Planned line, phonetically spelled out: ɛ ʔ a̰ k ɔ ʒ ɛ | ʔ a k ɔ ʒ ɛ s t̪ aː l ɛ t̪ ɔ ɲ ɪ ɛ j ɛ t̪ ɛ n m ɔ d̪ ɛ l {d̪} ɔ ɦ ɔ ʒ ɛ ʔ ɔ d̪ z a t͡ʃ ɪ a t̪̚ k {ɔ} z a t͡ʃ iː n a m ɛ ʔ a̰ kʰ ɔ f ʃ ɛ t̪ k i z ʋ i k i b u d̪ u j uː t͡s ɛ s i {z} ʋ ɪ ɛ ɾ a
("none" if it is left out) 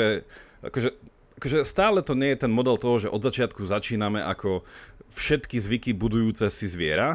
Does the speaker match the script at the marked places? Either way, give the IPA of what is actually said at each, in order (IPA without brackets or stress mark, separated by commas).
t̪, u, z